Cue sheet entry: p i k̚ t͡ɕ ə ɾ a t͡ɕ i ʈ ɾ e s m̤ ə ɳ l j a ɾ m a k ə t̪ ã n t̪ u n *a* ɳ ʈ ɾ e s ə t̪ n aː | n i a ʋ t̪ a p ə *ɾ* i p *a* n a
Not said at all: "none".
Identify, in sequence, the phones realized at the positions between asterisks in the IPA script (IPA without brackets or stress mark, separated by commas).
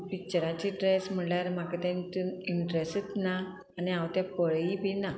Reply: i, ɭ, i